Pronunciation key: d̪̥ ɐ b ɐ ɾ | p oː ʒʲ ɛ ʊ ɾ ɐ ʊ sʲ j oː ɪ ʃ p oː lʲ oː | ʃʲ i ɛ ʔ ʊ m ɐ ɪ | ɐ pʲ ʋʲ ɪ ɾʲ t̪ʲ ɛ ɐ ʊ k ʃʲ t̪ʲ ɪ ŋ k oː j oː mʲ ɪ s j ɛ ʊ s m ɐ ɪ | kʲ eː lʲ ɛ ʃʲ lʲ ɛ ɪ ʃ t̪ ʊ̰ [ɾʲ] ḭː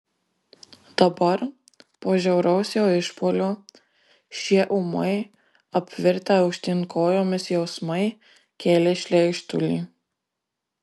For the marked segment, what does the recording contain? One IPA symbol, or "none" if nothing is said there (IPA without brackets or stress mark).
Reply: lʲ